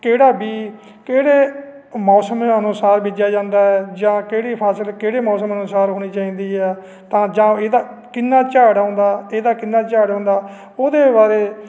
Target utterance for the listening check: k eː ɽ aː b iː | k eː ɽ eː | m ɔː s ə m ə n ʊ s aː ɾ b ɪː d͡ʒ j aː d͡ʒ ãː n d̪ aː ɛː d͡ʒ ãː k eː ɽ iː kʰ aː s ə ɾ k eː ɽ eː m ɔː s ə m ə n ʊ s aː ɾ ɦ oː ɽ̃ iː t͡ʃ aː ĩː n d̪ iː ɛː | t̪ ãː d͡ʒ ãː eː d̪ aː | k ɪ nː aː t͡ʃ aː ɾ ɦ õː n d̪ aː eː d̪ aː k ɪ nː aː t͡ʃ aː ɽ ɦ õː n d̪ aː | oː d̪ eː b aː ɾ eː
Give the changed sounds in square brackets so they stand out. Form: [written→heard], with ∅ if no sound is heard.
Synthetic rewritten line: k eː ɽ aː b iː | k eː ɽ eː | m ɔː s ə m ə n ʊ s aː ɾ b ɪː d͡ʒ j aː d͡ʒ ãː n d̪ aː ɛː d͡ʒ ãː k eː ɽ iː [kʰ→pʰ] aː s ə [ɾ→l] k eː ɽ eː m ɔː s ə m ə n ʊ s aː ɾ ɦ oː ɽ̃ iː t͡ʃ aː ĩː n d̪ iː ɛː | t̪ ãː d͡ʒ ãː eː d̪ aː | k ɪ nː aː t͡ʃ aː [ɾ→ɽ] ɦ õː n d̪ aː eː d̪ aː k ɪ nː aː t͡ʃ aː ɽ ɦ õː n d̪ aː | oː d̪ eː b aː ɾ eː

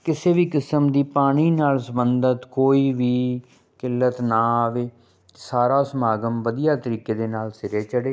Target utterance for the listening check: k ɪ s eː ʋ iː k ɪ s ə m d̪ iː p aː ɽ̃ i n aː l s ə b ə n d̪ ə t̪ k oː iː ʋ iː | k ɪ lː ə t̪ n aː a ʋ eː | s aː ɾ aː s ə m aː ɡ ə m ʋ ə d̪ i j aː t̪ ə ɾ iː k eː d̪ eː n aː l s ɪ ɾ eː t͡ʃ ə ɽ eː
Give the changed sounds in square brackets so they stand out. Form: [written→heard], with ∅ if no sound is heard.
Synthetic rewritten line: k ɪ s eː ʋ iː k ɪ s ə m d̪ iː p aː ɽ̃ [i→iː] n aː l s ə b ə n d̪ ə t̪ k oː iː ʋ iː | k ɪ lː ə t̪ n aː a ʋ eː | s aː ɾ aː s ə m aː ɡ ə m ʋ ə d̪ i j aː t̪ ə ɾ iː k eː d̪ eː n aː l s ɪ ɾ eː t͡ʃ ə ɽ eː

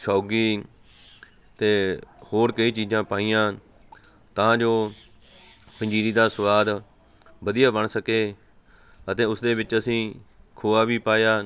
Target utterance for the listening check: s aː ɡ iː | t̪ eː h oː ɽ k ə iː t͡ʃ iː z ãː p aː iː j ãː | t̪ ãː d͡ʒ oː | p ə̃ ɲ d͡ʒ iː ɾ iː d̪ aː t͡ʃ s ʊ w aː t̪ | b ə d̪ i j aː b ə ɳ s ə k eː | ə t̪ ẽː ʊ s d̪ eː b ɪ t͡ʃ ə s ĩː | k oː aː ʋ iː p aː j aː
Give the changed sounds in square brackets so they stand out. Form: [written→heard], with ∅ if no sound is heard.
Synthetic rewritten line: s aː ɡ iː | t̪ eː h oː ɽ k ə iː t͡ʃ iː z ãː p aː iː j ãː | t̪ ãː d͡ʒ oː | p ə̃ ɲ d͡ʒ iː ɾ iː d̪ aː [t͡ʃ→∅] s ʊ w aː [t̪→d̪] | b ə d̪ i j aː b ə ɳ s ə k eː | ə t̪ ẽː ʊ s d̪ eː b ɪ t͡ʃ ə s ĩː | [k→kʰ] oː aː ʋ iː p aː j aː

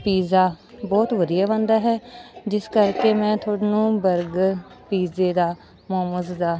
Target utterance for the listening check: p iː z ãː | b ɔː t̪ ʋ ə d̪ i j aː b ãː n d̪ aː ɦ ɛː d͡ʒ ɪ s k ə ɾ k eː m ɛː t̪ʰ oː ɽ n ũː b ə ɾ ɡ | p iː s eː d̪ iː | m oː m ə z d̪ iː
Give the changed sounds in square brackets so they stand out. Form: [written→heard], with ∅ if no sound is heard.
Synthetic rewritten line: p iː z [ãː→aː] | b ɔː t̪ ʋ ə d̪ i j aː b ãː n d̪ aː ɦ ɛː d͡ʒ ɪ s k ə ɾ k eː m [ɛː→ɛ̃ː] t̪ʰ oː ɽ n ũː b ə ɾ ɡ | p iː [s→z] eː d̪ [iː→aː] | m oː m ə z d̪ [iː→aː]

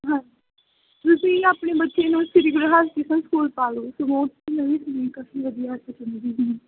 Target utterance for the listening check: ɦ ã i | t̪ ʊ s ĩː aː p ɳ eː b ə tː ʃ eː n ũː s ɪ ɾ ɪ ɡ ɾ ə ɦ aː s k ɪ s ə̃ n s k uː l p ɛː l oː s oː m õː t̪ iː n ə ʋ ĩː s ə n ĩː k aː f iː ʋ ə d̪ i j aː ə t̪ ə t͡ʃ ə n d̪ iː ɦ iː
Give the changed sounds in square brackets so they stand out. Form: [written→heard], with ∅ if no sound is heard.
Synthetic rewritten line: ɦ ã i | t̪ ʊ s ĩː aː p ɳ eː b ə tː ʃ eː n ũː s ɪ ɾ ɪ ɡ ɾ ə ɦ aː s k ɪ s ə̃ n s k uː l p [ɛː→aː] l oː s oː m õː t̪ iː n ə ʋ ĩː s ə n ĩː k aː f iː ʋ ə d̪ i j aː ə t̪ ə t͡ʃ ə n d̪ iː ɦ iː

